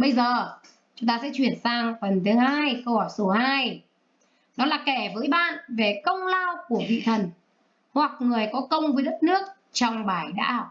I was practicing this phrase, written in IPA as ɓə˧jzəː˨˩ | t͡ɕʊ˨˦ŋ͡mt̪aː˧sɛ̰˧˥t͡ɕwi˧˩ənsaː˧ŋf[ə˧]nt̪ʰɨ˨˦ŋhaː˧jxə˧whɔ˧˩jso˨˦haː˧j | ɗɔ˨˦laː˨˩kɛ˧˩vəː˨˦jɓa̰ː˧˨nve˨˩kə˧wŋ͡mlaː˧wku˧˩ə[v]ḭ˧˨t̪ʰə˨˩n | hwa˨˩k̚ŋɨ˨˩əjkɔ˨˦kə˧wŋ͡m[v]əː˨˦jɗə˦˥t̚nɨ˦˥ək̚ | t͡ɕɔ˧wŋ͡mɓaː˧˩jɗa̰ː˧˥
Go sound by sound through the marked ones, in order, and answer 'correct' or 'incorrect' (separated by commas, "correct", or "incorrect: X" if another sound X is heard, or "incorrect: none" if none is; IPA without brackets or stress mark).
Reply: incorrect: ə˨˩, correct, correct